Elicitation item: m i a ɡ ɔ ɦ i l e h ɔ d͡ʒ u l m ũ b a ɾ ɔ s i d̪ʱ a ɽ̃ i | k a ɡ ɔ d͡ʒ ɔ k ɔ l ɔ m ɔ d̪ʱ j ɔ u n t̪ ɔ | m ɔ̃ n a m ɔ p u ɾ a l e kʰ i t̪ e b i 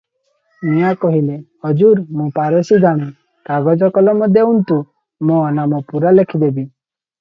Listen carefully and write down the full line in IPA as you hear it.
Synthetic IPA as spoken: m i a k ɔ ɦ i l e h ɔ d͡ʒ u ɾ m ũ p a ɾ ɔ s i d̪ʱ a ɽ̃ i | k a ɡ ɔ d͡ʒ ɔ k ɔ l ɔ m ɔ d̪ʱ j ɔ u n t̪ u | m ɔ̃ n a m ɔ p u ɾ a l e kʰ i d̪ e b i

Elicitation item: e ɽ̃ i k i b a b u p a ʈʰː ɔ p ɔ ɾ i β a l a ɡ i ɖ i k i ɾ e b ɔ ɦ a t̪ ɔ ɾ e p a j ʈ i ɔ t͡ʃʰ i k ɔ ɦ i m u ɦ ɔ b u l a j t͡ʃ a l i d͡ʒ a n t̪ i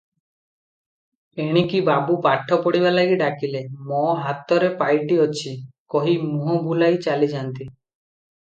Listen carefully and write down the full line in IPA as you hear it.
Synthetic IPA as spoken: e ɽ̃ i k i b a b u p a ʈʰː ɔ p ɔ ɽ i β a l a ɡ i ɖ a k i l e m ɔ ɦ a t̪ ɔ ɾ e p a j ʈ i ɔ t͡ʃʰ i k ɔ ɦ i m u ɦ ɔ b u l a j t͡ʃ a l i d͡ʒ a n t̪ i

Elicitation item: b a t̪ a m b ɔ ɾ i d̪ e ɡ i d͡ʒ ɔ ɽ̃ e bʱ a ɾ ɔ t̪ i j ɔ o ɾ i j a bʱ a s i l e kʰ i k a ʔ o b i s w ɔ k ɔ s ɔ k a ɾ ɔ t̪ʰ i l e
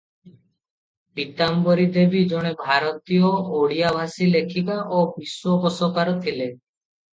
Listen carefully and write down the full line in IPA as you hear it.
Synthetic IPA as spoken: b i t̪ a m b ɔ ɾ i d̪ e b i d͡ʒ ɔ ɽ̃ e bʱ a ɾ ɔ t̪ i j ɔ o ɽ i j a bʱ a s i l e kʰ i k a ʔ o b i s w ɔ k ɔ s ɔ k a ɾ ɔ t̪ʰ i l e

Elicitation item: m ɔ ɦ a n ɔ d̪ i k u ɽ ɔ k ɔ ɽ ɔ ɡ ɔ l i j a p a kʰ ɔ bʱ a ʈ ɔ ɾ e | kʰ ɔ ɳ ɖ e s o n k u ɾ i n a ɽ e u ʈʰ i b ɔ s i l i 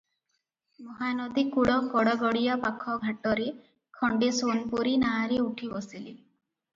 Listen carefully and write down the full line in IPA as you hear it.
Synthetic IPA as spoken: m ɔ ɦ a n ɔ d̪ i k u ɽ ɔ k ɔ ɽ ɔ ɡ ɔ ɽ i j a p a kʰ ɔ ɡʱ a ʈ ɔ ɾ e | kʰ ɔ ɳ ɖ e s o n p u ɾ i n a ɾ e u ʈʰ i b ɔ s i l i

